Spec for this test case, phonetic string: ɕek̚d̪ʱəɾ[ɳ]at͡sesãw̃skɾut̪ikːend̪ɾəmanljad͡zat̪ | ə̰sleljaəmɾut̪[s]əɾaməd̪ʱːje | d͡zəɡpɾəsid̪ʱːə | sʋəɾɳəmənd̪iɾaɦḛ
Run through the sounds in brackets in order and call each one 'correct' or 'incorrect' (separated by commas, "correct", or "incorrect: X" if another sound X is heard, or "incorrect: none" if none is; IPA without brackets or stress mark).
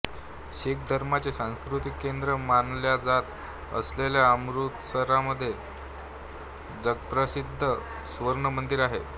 incorrect: m, correct